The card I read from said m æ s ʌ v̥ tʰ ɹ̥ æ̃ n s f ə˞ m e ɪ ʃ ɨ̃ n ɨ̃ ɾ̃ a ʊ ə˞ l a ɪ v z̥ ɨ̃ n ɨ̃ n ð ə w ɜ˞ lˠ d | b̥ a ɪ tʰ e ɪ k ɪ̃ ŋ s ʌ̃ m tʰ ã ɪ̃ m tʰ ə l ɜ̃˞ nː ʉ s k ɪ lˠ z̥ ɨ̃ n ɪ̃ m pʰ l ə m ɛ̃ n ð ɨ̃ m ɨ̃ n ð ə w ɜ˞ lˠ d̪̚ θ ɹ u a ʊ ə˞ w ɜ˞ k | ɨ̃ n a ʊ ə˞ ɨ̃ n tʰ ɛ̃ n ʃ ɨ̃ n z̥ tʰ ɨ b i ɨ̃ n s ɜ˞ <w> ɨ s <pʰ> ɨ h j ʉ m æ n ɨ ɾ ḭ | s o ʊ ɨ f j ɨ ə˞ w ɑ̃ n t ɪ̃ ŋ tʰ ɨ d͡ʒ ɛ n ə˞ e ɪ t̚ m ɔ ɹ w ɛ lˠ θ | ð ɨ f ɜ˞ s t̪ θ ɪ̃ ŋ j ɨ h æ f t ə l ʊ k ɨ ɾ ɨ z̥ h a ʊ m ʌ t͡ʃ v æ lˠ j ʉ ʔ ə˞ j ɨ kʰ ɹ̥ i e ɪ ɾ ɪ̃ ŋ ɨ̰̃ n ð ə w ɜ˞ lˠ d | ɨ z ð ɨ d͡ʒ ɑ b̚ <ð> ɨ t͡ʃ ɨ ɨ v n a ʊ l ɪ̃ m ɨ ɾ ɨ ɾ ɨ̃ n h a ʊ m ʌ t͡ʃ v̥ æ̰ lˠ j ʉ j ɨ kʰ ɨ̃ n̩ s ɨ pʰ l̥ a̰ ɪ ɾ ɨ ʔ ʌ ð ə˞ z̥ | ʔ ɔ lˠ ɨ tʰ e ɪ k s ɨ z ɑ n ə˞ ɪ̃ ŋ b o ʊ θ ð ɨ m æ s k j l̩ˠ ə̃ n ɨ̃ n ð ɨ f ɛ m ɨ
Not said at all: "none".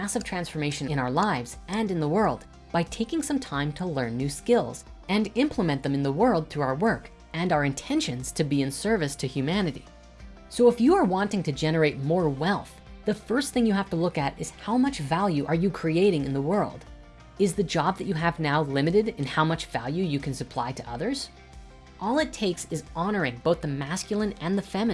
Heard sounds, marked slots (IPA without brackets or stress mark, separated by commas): v, tʰ, ð